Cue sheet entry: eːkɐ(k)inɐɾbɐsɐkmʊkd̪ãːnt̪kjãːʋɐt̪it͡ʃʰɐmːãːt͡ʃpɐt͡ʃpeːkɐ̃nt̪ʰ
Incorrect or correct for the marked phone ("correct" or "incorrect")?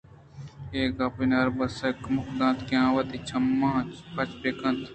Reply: incorrect